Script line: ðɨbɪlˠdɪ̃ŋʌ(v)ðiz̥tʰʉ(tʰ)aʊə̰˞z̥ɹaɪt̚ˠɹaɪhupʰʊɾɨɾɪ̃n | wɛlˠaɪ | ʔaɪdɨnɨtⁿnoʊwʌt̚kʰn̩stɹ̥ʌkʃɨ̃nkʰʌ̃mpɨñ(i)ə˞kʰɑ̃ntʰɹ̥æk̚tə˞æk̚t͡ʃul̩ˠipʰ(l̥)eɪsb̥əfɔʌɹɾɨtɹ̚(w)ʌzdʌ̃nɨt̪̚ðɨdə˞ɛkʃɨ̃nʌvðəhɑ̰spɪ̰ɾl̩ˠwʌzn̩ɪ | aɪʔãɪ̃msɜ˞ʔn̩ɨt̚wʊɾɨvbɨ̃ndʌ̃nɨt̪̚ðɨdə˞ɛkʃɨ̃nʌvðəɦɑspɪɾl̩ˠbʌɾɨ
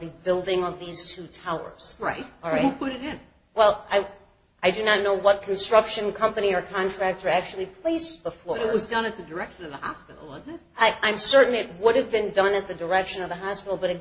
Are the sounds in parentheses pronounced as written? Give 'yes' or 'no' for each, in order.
yes, yes, yes, yes, yes

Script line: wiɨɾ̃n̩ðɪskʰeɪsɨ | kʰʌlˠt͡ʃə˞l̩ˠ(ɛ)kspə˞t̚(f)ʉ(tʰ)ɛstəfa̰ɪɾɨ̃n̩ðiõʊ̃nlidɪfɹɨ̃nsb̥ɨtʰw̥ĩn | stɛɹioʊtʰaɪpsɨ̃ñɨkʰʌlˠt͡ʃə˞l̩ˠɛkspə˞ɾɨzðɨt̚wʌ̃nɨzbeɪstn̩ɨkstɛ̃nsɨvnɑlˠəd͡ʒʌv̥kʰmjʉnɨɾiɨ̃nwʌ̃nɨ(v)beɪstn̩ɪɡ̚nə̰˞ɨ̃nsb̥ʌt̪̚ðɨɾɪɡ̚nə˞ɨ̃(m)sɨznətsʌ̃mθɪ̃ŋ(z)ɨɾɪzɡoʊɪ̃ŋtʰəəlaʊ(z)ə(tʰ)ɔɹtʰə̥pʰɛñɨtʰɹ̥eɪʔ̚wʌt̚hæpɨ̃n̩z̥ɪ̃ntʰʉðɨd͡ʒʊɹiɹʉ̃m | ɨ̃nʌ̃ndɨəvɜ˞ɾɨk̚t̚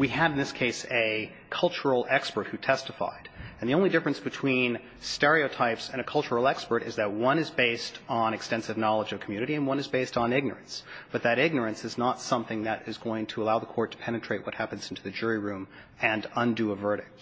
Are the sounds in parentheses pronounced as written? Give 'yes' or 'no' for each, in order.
yes, no, yes, no, no, no, no, no

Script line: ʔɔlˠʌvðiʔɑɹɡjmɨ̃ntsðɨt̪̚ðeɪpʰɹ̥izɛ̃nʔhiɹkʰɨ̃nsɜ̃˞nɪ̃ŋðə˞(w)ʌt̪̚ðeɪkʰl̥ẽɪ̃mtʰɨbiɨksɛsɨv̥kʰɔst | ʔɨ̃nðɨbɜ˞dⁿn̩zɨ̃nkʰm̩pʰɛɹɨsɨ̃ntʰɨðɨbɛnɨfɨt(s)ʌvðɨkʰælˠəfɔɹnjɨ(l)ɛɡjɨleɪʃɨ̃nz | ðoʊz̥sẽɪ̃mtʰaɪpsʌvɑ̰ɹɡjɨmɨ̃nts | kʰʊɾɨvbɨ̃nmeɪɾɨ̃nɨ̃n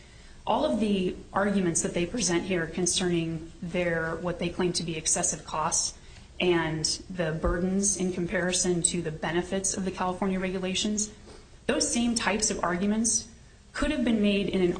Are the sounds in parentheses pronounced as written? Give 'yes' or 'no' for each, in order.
yes, yes, no

